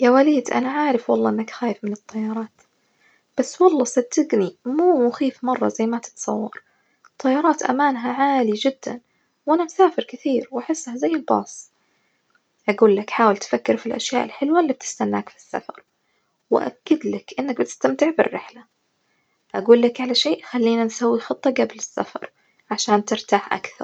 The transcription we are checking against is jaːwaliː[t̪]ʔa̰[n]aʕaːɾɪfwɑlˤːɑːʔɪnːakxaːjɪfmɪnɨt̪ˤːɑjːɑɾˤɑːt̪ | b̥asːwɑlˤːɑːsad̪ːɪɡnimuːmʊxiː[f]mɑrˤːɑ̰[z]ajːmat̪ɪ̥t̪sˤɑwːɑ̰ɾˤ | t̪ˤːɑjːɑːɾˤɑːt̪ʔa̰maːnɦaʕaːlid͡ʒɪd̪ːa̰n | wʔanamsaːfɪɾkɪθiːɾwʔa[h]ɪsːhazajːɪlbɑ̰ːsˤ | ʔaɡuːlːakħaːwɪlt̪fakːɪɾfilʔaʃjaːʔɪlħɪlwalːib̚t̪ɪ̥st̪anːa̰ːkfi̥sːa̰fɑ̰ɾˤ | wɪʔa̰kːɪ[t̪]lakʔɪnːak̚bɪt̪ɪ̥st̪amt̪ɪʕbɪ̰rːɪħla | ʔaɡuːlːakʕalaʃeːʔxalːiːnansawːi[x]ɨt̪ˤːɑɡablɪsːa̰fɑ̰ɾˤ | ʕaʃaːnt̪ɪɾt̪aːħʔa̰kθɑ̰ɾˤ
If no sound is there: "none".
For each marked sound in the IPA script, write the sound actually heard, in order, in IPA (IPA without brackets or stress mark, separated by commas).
d̪, n, f, z, ħ, d̪, x